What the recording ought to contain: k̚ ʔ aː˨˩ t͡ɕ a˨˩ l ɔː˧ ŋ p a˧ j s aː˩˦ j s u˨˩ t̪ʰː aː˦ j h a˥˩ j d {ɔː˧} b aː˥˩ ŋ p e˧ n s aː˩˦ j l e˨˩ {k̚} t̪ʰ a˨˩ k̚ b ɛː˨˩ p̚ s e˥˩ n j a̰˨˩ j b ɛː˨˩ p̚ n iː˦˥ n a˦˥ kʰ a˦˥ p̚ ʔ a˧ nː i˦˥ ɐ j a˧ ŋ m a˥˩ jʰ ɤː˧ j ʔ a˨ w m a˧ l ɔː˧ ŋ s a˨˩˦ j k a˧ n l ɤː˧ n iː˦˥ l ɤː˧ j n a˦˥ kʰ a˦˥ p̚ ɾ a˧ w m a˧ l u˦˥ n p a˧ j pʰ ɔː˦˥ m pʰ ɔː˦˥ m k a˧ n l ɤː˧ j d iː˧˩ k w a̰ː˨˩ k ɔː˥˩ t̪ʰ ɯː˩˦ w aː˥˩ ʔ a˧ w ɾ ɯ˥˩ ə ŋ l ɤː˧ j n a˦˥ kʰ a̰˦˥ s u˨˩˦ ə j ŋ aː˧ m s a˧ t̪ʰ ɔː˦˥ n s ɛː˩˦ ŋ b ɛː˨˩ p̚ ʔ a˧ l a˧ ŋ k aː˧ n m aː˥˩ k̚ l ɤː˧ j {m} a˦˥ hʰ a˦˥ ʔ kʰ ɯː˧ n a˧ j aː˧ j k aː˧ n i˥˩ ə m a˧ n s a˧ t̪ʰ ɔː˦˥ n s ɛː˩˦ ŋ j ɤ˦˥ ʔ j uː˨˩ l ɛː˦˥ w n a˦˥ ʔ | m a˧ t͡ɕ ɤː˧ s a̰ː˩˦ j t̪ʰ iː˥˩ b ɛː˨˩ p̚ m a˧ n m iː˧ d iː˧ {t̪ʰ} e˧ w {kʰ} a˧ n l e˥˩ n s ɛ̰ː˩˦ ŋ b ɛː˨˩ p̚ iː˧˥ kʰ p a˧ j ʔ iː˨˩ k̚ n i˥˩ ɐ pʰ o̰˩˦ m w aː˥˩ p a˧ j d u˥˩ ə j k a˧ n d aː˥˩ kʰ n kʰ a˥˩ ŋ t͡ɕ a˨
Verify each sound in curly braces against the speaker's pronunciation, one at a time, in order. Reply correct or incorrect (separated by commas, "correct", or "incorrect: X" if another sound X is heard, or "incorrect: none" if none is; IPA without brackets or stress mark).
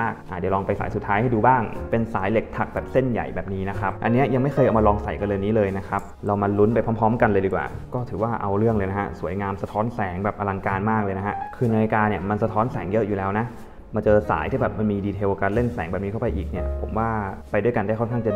incorrect: uː˧, correct, incorrect: n, correct, incorrect: k